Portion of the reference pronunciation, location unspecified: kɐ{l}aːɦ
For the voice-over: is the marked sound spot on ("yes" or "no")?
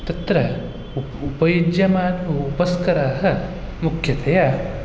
no